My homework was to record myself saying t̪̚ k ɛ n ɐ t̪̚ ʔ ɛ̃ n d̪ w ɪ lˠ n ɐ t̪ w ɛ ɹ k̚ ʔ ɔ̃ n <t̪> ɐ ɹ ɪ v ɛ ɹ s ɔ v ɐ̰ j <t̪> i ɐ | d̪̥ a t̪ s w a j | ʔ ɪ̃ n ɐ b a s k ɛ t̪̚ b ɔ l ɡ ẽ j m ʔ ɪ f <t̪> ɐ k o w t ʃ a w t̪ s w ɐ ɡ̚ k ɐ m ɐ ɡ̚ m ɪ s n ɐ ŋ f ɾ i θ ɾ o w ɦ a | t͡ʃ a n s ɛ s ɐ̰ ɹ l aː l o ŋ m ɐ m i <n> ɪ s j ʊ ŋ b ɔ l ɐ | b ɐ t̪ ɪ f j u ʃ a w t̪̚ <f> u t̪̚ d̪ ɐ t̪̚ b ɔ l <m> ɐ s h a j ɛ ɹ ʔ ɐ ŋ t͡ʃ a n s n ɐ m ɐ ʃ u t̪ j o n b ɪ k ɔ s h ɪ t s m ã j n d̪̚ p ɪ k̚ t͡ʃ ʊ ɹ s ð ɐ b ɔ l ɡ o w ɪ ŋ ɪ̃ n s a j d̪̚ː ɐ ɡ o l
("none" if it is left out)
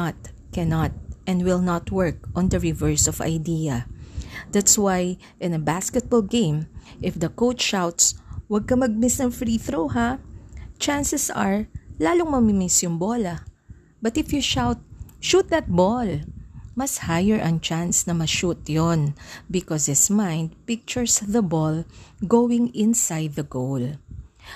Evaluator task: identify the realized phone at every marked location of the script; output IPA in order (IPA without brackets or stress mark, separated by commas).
d̪, d̪, d̪, m, ʃ, m